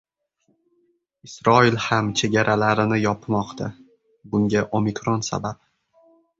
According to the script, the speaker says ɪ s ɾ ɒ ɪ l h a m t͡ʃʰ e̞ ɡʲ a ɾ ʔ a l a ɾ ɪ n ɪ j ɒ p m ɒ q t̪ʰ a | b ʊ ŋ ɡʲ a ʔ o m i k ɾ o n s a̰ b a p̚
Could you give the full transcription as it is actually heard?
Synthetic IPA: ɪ s ɾ ɒ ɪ l h a m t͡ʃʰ e̞ ɡʲ a ɾ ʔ a l a ɾ ɪ n ɪ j ɒ p m ɒ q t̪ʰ a | b ʊ ŋ ɡʲ a ʔ o m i k ɾ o n s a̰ b a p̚